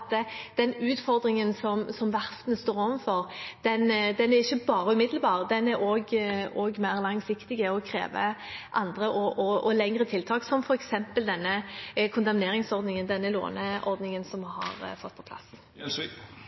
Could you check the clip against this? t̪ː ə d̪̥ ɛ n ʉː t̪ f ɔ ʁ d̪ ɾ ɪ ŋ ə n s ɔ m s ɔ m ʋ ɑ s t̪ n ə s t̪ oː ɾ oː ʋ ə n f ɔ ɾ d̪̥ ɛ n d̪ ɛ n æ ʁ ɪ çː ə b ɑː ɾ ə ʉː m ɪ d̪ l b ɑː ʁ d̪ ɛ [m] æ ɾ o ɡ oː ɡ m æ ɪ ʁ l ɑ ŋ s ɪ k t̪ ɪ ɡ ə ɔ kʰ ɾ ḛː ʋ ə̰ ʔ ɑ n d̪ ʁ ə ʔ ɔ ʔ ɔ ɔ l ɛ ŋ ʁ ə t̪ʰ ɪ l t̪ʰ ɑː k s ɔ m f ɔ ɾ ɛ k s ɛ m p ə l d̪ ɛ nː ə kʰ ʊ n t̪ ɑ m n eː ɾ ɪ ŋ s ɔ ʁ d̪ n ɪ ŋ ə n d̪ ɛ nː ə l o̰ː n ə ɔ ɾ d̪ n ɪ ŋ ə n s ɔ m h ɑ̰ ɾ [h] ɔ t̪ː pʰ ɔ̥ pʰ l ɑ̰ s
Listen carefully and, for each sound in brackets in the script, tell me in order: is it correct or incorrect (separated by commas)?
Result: incorrect, incorrect